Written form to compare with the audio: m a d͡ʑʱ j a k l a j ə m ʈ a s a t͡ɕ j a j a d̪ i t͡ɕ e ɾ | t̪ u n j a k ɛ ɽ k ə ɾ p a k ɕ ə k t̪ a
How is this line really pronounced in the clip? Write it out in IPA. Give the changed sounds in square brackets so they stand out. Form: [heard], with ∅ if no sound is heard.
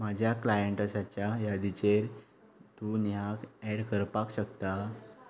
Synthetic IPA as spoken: m a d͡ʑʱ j a k l a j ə [ɳ] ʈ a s a t͡ɕ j a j a d̪ i t͡ɕ e ɾ | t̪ u n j a k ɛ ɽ k ə ɾ p a k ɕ ə k t̪ a